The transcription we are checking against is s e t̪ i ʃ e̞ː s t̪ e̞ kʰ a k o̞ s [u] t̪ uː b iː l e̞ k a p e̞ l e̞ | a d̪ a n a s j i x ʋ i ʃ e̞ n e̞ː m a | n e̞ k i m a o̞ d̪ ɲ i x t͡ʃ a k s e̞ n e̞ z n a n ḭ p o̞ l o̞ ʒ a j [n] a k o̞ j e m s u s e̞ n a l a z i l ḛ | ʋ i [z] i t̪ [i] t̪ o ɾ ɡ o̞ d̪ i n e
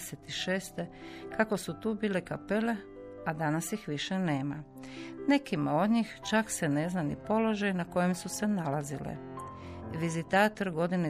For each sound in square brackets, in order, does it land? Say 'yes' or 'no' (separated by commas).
yes, yes, yes, no